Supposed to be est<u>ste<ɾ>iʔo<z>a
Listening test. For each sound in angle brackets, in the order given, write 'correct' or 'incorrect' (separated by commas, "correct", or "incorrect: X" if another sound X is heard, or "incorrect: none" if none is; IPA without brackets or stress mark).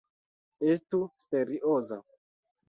correct, correct, correct